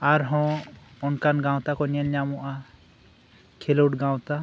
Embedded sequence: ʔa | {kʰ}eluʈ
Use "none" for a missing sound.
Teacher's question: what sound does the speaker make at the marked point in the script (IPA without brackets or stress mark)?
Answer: kʰ